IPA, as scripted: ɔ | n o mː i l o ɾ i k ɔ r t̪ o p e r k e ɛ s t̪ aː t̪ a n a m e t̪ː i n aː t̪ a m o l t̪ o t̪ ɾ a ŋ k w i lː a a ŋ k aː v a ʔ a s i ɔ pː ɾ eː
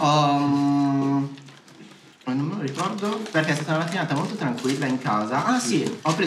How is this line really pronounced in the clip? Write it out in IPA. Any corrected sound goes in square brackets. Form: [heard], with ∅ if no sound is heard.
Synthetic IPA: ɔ | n o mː [e] l o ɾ i k ɔ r [d̪] o p e r k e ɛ s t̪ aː t̪ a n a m [a] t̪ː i n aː t̪ a m o l t̪ o t̪ ɾ a ŋ k w i lː a [i] ŋ k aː [z] a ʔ a s i ɔ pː ɾ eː